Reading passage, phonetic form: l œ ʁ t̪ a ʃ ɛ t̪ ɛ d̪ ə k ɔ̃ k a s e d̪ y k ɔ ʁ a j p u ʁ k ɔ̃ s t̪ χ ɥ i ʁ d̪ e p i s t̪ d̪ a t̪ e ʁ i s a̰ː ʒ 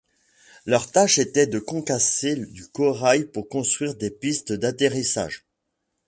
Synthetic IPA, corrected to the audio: l œ ʁ t̪ a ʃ e t̪ ɛ d̪ ə k ɔ̃ k a s e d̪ y k ɔ ʁ a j p u ʁ k ɔ̃ s t̪ χ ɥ i ʁ d̪ e p i s t̪ d̪ a t̪ e ʁ i s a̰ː ʒ